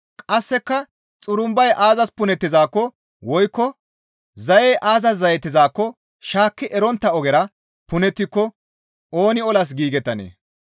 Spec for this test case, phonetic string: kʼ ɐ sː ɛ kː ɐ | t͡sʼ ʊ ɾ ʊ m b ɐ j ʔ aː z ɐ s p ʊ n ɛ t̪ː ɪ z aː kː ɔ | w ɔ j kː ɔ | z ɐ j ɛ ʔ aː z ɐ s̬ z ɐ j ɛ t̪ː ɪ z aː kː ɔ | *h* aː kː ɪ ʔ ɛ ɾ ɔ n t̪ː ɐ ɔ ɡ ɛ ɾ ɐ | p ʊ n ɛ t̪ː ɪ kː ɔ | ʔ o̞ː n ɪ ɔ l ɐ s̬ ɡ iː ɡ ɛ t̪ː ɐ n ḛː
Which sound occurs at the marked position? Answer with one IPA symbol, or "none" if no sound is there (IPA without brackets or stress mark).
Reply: ʃ